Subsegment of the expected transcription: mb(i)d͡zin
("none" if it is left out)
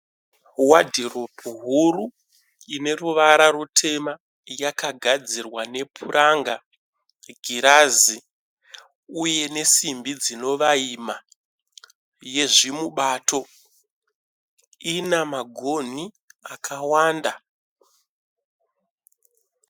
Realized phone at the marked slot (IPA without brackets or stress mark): i